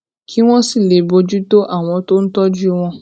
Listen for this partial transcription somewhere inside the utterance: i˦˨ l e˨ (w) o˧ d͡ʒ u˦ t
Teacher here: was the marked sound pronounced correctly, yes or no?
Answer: no